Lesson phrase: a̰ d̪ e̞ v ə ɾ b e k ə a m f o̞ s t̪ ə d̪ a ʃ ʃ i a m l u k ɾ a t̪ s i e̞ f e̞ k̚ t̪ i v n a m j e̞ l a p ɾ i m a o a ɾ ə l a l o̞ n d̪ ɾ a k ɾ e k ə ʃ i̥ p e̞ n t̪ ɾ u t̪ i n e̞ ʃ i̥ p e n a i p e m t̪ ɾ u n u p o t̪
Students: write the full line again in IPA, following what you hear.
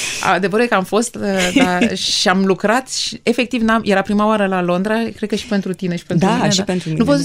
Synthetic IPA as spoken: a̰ d̪ e̞ v ə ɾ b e k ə a m f o̞ s t̪ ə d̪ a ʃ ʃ i a m l u k ɾ a t̪ ʃ i e̞ f e̞ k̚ t̪ i v n a m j e̞ ɾ a p ɾ i m a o a ɾ ə l a l o̞ n d̪ ɾ a k ɾ e k ə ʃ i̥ p e̞ n t̪ ɾ u t̪ i n e̞ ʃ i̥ p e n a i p e n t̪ ɾ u n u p o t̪